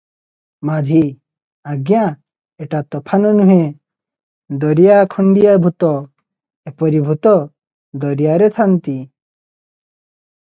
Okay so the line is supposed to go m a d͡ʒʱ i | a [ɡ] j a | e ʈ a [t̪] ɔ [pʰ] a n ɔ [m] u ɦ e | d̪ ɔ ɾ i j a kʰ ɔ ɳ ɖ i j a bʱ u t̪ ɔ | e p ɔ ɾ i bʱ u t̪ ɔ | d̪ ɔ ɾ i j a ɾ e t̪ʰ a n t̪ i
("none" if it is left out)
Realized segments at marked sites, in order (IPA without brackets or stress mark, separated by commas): ɡ, t̪, pʰ, n